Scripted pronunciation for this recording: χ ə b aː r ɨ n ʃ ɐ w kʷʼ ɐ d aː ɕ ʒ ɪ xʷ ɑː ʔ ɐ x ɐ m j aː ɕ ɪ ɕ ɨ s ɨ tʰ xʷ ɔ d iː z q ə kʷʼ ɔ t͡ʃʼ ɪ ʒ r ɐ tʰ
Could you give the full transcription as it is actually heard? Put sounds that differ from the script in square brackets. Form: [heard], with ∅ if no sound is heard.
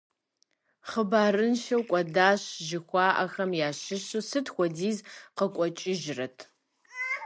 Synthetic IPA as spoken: χ ə b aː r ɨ n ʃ ɐ w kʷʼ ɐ d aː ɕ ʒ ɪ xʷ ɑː ʔ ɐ x ɐ m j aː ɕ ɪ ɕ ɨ s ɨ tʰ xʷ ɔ d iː z q ə kʷʼ ɔ t͡ʃʼ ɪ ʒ r ɐ tʰ